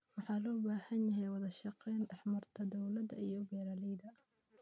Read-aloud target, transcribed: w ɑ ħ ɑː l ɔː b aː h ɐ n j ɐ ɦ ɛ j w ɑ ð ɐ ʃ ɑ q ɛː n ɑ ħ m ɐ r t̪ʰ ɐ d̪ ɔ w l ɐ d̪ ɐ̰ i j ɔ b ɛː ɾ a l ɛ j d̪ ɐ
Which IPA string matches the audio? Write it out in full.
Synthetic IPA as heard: w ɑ ħ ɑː l ɔː b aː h ɐ n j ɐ ɦ ɛ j w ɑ ð ɐ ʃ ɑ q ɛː n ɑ ħ m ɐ r t̪ʰ ɐ d̪ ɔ w l ɐ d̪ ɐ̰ i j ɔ b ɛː ɾ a l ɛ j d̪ ɐ